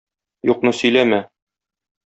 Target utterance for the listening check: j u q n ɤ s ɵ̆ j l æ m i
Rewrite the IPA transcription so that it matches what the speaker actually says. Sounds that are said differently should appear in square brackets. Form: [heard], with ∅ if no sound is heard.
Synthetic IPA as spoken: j u q n ɤ s ɵ̆ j l æ m [æ]